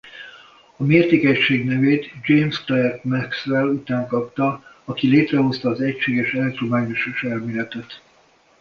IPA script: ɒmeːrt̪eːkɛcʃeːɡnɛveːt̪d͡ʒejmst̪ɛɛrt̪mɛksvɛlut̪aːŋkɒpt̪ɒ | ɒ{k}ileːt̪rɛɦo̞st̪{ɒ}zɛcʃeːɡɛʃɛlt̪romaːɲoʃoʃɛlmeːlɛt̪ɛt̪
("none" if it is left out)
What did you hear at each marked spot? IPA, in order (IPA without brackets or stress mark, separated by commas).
k, ɒː